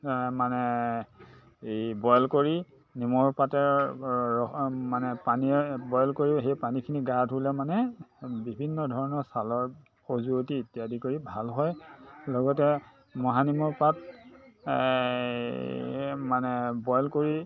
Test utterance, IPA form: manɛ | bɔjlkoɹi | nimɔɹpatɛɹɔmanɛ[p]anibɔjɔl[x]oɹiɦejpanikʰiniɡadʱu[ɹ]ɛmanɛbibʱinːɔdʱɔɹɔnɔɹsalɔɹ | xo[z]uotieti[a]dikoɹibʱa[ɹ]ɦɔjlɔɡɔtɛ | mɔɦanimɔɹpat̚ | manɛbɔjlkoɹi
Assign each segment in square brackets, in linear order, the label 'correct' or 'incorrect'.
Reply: correct, incorrect, incorrect, correct, correct, incorrect

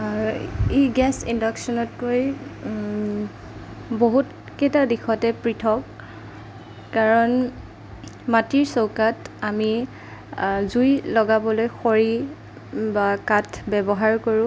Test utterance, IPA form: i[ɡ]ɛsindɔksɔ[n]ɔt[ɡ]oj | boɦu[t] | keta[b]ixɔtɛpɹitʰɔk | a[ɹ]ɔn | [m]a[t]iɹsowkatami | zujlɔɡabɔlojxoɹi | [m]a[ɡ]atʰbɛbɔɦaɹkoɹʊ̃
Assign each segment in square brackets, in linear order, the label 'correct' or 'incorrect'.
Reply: correct, correct, incorrect, correct, incorrect, correct, correct, correct, incorrect, incorrect

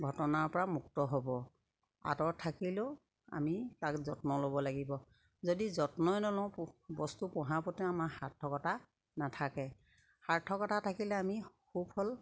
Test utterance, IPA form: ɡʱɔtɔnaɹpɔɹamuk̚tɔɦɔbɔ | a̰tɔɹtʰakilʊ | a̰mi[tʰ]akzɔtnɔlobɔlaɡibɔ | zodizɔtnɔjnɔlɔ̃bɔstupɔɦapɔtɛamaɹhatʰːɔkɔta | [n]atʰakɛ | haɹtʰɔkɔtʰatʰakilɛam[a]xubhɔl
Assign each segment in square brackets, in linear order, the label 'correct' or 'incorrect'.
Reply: incorrect, correct, incorrect

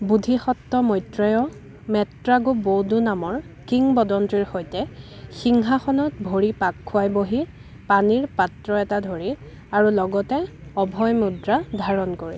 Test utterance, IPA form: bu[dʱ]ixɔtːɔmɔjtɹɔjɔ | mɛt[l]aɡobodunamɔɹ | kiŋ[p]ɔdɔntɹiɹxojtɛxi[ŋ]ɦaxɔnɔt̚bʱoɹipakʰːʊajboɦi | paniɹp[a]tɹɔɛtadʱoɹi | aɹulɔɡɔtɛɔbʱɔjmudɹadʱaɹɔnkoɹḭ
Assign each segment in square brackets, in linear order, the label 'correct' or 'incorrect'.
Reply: correct, incorrect, incorrect, correct, correct

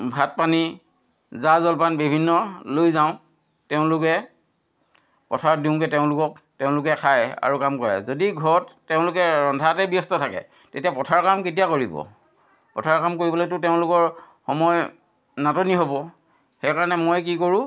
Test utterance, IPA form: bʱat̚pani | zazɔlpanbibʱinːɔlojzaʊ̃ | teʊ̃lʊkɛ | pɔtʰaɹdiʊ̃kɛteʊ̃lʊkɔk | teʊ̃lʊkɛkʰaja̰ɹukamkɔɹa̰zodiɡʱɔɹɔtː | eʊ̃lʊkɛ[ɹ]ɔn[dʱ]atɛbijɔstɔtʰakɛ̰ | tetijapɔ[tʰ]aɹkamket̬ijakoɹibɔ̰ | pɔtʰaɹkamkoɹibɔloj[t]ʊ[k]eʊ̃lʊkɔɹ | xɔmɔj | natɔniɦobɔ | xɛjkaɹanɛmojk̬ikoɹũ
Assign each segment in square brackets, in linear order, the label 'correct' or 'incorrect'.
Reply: correct, correct, correct, correct, incorrect

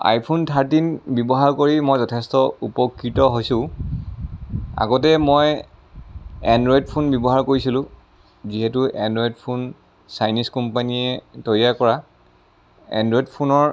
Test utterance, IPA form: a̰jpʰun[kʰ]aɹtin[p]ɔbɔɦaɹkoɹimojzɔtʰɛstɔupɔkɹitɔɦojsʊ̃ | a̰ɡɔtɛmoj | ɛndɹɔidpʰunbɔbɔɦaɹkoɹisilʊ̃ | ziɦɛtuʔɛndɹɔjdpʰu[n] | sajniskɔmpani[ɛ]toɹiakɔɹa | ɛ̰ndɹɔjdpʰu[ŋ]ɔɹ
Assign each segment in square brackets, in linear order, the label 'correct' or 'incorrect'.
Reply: incorrect, incorrect, correct, correct, incorrect

